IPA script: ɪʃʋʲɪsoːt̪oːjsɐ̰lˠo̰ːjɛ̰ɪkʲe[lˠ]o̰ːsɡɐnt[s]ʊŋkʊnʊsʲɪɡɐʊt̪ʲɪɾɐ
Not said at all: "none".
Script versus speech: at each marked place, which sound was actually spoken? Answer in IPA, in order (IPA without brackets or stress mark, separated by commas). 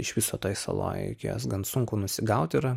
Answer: none, s